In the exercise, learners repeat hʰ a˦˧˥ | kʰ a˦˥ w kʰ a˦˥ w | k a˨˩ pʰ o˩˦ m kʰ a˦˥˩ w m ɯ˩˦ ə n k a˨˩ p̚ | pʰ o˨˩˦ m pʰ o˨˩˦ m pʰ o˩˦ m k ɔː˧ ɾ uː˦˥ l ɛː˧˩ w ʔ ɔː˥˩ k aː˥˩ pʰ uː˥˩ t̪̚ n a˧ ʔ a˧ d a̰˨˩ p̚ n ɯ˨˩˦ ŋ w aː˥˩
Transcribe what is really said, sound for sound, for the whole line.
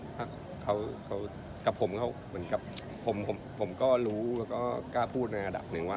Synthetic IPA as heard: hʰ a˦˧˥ | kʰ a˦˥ w kʰ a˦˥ w | k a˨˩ pʰ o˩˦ m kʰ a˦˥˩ w m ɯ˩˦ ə n k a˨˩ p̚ | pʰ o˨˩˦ m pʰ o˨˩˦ m pʰ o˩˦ m k ɔː˥˩ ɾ uː˦˥ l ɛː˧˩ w k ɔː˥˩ k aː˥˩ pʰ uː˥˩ t̪̚ n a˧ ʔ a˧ d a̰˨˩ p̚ n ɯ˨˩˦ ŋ w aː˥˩